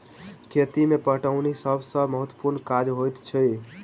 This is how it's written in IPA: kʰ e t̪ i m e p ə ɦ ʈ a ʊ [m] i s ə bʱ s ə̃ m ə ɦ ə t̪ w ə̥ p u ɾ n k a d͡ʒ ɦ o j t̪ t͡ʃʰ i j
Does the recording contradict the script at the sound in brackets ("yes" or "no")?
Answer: yes